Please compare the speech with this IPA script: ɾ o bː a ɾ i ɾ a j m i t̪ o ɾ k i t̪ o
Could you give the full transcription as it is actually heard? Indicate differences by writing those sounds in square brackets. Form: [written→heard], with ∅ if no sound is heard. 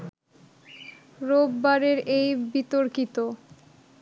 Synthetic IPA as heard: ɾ o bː a ɾ [i→e] ɾ [a→e] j [m→b] i t̪ o ɾ k i t̪ o